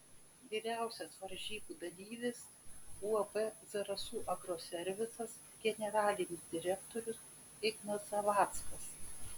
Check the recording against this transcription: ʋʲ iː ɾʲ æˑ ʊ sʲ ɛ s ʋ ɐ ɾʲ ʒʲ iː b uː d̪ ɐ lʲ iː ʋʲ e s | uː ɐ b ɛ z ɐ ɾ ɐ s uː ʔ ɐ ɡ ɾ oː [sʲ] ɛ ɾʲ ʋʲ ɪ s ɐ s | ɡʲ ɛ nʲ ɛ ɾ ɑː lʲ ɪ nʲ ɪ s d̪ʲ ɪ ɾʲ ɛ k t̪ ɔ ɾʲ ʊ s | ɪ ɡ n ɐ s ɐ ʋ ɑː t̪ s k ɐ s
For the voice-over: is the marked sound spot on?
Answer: yes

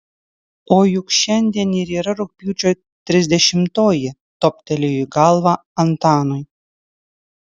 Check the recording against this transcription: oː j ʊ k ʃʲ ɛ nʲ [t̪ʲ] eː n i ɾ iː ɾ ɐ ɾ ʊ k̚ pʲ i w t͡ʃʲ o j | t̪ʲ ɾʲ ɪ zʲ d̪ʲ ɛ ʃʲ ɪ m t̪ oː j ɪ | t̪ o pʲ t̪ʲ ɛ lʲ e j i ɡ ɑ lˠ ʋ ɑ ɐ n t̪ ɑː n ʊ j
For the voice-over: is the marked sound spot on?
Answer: no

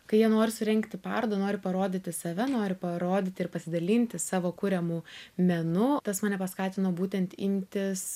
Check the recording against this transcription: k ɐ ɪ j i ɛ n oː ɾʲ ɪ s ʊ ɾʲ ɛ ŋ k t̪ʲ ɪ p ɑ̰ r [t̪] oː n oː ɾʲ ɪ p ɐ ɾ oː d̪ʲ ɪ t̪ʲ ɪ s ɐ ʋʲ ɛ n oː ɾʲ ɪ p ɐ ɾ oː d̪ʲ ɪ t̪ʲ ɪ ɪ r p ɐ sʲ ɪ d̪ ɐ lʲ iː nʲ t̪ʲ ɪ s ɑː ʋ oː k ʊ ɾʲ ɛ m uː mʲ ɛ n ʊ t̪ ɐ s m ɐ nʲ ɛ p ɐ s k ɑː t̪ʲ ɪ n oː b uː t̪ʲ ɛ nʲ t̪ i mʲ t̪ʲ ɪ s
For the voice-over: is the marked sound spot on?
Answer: no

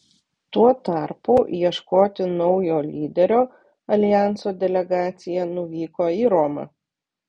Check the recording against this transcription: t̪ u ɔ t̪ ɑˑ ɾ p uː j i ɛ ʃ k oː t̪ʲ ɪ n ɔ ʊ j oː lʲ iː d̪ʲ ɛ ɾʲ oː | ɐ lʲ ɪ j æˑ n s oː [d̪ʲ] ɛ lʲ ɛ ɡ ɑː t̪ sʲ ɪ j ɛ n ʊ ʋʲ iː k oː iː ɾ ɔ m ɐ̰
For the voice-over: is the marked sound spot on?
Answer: yes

